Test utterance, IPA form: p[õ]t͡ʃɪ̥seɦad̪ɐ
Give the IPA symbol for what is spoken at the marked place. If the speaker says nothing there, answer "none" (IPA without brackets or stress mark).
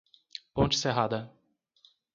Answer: õ